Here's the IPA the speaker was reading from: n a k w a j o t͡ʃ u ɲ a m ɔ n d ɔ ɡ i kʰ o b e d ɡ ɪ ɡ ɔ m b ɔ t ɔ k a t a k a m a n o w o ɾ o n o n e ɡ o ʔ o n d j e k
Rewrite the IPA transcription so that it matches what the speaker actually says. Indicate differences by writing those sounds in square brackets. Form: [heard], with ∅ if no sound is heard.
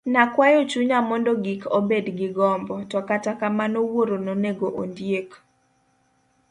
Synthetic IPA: n a k w a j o t͡ʃ u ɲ a m ɔ n d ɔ ɡ i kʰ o b e d ɡ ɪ ɡ ɔ m b ɔ t ɔ k a t a k a m a n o w o ɾ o n o n e ɡ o ʔ o n d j e k